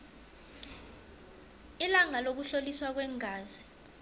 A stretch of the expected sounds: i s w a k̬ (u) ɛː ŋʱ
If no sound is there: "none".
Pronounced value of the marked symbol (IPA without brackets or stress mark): w